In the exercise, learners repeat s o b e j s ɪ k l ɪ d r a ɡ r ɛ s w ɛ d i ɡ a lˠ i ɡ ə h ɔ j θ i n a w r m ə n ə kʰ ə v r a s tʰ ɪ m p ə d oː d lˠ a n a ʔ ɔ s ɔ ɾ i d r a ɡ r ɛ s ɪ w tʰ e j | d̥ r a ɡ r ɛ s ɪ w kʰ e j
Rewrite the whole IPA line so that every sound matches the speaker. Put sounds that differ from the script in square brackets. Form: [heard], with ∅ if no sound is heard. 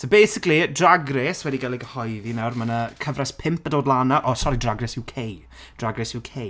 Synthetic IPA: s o b e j s ɪ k l [i] d r a ɡ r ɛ s w ɛ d i ɡ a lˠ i ɡ ə h ɔ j [ð] i n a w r m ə n ə kʰ ə v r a s [pʰ] ɪ m p ə d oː d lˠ a n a ʔ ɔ s ɔ ɾ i d r a ɡ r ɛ s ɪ w [kʰ] e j | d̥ r a ɡ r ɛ s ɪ w kʰ e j